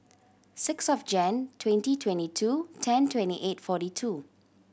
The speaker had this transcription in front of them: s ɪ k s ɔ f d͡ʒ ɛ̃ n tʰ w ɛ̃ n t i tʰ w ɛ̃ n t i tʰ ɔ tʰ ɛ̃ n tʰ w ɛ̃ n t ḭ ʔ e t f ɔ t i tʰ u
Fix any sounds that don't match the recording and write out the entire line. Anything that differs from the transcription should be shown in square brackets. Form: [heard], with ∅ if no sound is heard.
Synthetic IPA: s ɪ k s ɔ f d͡ʒ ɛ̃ n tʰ w ɛ̃ n t i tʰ w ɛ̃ n t i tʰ [u] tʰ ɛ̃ n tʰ w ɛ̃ n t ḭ ʔ e t f ɔ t i tʰ u